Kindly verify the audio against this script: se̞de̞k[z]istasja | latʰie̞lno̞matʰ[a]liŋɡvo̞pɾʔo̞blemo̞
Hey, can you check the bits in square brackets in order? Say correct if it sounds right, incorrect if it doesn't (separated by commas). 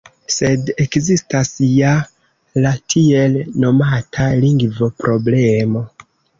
correct, correct